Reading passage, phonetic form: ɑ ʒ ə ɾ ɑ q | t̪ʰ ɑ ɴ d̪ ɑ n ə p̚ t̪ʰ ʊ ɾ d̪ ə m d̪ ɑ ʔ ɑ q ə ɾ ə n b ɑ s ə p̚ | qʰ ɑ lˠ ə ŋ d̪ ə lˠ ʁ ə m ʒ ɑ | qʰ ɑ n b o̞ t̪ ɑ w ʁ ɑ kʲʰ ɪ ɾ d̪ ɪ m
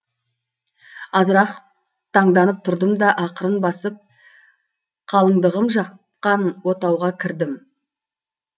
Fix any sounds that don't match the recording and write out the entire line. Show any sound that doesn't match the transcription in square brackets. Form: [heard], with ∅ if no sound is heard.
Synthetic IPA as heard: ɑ [z] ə ɾ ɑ q | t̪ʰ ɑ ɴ d̪ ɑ n ə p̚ t̪ʰ ʊ ɾ d̪ ə m d̪ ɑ ʔ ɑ q ə ɾ ə n b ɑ s ə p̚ | qʰ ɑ lˠ ə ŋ d̪ ə [∅] ʁ ə m ʒ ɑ | [q] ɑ n [w] o̞ t̪ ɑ w ʁ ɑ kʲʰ ɪ ɾ d̪ ɪ m